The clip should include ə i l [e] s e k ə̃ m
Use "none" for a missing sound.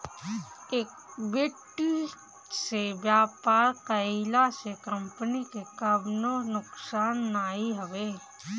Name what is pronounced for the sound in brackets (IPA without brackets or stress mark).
a